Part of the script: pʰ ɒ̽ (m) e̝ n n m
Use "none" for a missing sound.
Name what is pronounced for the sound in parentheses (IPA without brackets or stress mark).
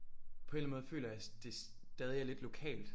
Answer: none